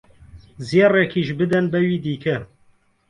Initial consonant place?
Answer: alveolar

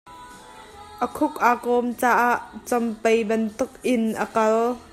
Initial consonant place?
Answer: glottal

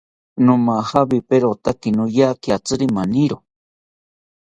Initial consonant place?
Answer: alveolar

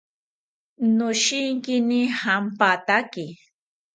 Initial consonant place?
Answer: alveolar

